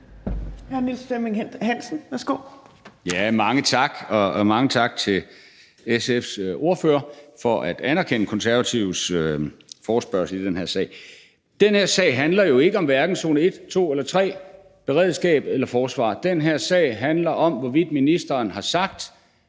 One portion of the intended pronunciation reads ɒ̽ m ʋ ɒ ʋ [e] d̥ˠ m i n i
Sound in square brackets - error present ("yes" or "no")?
yes